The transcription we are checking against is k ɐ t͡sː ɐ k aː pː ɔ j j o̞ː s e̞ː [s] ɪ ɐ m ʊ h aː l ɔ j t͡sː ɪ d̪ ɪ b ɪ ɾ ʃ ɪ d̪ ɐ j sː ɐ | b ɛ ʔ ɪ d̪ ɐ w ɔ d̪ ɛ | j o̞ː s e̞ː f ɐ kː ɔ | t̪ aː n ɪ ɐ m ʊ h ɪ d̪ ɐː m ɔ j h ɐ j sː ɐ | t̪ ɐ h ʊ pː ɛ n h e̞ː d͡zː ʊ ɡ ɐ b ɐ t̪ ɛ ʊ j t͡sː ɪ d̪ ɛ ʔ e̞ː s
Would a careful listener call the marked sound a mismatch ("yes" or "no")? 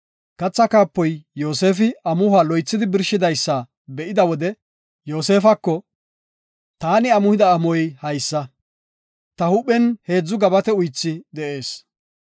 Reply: yes